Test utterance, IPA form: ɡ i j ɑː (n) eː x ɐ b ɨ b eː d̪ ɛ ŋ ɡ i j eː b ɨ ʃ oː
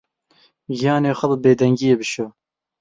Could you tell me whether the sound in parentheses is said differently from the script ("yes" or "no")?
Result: no